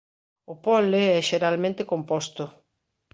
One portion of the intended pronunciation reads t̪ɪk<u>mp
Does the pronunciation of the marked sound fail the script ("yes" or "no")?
yes